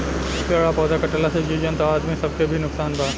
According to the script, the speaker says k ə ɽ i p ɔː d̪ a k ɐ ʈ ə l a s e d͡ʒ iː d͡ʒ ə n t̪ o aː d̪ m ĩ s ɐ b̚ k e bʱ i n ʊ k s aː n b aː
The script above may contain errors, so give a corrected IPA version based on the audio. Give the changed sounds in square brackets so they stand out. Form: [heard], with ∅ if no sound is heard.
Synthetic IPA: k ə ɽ [a] p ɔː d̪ a k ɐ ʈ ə l a s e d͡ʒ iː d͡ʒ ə n t̪ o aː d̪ m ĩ s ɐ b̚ k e bʱ i n ʊ k s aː n b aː

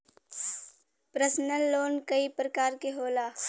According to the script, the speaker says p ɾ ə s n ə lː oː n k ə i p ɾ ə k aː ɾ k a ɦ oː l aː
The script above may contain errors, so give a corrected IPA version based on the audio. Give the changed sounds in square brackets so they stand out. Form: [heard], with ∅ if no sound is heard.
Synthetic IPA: p ɾ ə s n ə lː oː n k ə i p ɾ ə k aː ɾ k [e] ɦ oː l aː

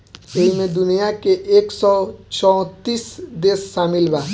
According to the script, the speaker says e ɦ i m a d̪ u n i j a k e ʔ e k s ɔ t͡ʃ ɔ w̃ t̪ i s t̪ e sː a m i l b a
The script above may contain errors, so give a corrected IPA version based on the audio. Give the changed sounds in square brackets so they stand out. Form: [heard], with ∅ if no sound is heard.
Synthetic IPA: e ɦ i m [e] d̪ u n i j a k e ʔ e k s ɔ t͡ʃ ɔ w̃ t̪ i s [d̪] e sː a m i l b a

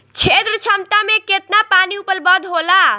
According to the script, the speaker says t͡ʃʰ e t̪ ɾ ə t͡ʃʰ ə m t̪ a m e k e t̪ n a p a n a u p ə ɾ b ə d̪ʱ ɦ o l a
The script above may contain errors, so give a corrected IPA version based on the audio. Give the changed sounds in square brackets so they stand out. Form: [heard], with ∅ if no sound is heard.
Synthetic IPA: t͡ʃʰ e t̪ ɾ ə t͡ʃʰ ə m t̪ a m e k e t̪ n a p a n [i] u p ə [l] b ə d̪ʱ ɦ o l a

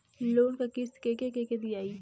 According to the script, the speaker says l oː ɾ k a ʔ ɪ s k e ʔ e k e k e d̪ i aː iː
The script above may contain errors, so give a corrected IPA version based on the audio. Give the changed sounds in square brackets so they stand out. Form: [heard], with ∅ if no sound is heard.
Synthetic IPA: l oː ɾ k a [k] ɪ s k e [k] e k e k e d̪ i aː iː

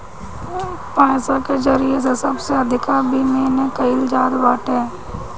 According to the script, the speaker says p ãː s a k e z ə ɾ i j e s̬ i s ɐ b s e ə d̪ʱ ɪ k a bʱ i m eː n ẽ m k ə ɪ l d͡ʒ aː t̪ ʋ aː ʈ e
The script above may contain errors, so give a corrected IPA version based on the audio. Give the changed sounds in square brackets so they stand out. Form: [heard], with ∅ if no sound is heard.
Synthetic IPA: p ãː s a k e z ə ɾ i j e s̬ [e] s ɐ b s e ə d̪ʱ ɪ k a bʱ i m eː n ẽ [∅] k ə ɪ l d͡ʒ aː [d̪] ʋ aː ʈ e

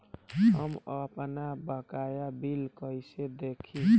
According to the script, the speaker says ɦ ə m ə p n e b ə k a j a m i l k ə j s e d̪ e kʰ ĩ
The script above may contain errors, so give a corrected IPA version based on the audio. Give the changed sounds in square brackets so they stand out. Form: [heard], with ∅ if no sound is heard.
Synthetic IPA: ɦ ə m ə p n [a] b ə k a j a [b] i l k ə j s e d̪ e kʰ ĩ

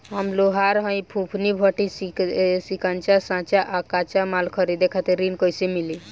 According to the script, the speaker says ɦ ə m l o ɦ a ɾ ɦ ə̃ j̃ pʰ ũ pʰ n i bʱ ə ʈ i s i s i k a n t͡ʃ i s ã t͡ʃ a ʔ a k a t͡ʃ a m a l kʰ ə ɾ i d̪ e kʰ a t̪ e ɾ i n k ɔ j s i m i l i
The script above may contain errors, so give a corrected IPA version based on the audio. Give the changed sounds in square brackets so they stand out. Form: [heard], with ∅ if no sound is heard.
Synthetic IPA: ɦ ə m l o ɦ a ɾ ɦ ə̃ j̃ pʰ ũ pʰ n i bʱ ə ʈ i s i s i k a n t͡ʃ [a] s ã t͡ʃ a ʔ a k a t͡ʃ a m a l kʰ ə ɾ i d̪ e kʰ a t̪ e ɾ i n k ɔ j s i m i l i

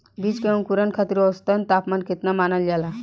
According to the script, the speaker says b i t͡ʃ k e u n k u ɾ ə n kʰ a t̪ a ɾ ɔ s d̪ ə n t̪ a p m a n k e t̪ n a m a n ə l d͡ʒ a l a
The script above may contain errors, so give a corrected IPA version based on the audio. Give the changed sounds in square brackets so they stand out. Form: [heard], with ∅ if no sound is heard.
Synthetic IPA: b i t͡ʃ k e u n k u ɾ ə n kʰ a t̪ [i] ɾ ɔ s [t̪] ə n t̪ a p m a n k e t̪ n a m a n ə l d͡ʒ a l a

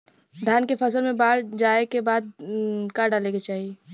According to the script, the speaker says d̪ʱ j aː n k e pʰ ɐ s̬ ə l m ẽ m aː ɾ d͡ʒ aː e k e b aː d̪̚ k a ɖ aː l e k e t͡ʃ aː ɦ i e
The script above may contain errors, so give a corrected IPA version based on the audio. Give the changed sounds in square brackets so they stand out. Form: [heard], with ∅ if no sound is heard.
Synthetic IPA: d̪ʱ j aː n k e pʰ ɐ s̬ ə l m ẽ [b] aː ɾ d͡ʒ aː e k e b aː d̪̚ k a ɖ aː l e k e t͡ʃ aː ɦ i e

